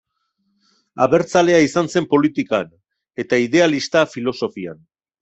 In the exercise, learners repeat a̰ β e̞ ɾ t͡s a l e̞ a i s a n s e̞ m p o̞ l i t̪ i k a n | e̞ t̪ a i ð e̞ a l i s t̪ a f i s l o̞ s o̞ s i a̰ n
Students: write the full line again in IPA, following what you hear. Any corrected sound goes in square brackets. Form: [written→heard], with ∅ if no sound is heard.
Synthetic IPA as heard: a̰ β e̞ ɾ t͡s a l e̞ a i s a n s e̞ m p o̞ l i t̪ i k a n | e̞ t̪ a i ð e̞ a l i s t̪ a f i [s→∅] l o̞ s o̞ [s→f] i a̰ n